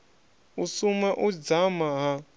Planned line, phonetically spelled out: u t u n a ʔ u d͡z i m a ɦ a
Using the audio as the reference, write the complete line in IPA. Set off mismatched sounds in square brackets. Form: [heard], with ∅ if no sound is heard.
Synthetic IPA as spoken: u [s] u [m] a ʔ u d͡z [a] m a ɦ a

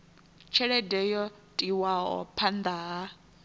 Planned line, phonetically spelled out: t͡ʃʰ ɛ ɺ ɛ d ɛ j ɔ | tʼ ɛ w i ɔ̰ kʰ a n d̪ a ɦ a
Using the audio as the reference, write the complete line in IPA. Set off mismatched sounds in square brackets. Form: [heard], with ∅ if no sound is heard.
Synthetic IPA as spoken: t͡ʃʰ ɛ ɺ ɛ d ɛ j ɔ | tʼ [i] w [a] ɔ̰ [pʰ] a n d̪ a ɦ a

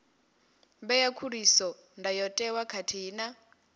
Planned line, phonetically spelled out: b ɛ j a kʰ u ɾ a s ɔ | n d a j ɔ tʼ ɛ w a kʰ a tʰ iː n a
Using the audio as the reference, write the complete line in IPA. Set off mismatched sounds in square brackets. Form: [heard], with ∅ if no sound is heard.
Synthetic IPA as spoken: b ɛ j a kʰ u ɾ [i] s ɔ | n d a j ɔ tʼ ɛ w a kʰ a tʰ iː n a

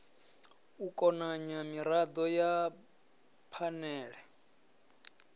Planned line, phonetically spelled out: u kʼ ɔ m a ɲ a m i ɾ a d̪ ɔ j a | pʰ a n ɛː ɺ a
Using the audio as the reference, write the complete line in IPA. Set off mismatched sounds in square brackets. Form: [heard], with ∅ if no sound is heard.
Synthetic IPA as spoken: u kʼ ɔ [n] a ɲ a m i ɾ a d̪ ɔ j a | pʰ a n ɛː ɺ [ɛ]

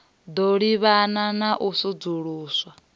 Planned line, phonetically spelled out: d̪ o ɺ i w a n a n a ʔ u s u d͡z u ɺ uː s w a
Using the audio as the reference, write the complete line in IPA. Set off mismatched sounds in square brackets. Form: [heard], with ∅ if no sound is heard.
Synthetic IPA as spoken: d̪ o ɺ i [β] a n a n a ʔ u s u d͡z u ɺ uː s w a

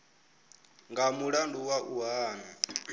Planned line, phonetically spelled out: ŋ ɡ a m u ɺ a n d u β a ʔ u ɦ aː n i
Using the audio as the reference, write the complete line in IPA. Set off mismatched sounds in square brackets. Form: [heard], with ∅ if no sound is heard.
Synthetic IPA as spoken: ŋ ɡ a m u ɺ a n d u [w] a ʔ u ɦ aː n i

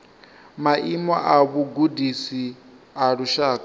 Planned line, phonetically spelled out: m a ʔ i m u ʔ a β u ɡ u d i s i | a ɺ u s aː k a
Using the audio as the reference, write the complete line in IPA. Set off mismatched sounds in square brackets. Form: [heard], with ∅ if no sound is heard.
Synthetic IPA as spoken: m a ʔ i m [ɔ] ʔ a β u ɡ u d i s i | a ɺ u [ʃ] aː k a

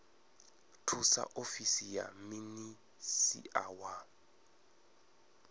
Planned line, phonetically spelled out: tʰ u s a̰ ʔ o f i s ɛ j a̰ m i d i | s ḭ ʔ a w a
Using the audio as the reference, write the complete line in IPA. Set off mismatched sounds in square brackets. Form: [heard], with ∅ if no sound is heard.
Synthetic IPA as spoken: tʰ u s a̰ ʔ o f i s [i] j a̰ m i [n] i | s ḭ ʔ a w a

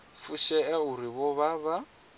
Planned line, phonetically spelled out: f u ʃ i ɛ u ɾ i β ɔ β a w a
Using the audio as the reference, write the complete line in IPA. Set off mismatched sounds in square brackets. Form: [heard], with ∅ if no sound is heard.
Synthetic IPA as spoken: f u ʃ [ɛ] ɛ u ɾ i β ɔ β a [β] a

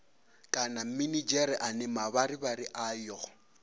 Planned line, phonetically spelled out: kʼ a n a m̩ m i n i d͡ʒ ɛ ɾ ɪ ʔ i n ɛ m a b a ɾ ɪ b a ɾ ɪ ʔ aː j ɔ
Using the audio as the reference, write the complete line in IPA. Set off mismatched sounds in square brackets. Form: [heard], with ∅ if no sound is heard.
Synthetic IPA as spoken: kʼ a n a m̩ m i n i d͡ʒ ɛ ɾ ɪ ʔ [a] n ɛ m a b a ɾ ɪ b a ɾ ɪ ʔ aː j ɔ

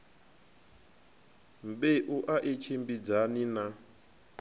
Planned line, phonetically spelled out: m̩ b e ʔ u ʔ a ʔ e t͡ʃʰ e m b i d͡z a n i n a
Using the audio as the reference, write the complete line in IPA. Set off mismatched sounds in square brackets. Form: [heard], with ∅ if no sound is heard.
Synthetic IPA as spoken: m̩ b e ʔ u ʔ a ʔ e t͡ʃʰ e m b i d͡z a n i n a

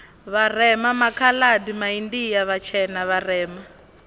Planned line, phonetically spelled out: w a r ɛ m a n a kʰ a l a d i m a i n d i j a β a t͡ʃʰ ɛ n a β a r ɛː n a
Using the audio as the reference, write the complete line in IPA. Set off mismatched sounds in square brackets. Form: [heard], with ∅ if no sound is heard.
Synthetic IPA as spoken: [β] a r ɛ m a [m] a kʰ a l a d i m a i n d i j a β a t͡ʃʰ ɛ n a β a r ɛː [m] a

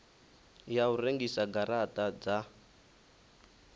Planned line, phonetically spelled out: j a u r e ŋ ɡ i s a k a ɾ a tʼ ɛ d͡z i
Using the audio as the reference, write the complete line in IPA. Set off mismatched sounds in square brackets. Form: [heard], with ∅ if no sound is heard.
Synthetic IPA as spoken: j a u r e ŋ ɡ i s a [ɡ] a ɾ a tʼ [a] d͡z [a]

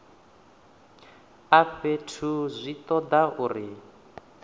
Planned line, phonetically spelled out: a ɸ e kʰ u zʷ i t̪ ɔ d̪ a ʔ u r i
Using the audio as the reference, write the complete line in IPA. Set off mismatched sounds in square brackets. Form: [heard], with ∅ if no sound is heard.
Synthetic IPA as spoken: a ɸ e [tʰ] u zʷ i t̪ ɔ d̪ a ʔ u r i

